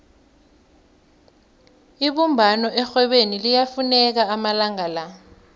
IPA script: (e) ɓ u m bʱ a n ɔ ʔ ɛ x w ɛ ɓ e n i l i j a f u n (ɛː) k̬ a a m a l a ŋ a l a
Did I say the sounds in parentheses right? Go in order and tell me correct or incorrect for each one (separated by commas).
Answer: incorrect, incorrect